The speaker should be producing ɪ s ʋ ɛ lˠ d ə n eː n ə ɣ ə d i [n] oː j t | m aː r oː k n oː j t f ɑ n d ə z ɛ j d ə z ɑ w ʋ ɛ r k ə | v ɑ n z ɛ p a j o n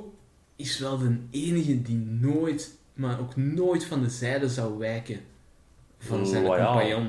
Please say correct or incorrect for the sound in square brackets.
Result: correct